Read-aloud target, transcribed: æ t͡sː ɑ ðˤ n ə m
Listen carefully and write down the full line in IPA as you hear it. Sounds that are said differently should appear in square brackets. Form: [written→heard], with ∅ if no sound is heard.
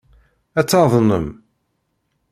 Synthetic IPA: æ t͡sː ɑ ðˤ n ə m